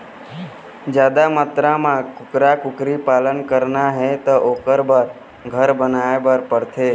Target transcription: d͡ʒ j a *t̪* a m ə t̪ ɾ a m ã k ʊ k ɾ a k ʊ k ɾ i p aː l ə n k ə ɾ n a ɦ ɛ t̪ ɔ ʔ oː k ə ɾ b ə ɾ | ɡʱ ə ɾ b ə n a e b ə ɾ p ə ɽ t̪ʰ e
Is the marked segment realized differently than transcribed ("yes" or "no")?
yes